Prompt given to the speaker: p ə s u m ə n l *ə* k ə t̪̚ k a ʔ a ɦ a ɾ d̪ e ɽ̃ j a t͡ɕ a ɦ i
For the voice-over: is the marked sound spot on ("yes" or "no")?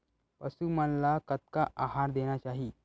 no